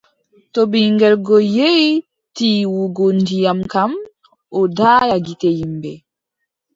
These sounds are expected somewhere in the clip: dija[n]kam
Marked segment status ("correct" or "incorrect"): incorrect